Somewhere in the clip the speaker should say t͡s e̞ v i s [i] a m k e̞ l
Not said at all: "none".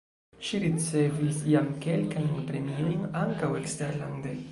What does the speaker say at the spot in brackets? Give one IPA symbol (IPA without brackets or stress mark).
j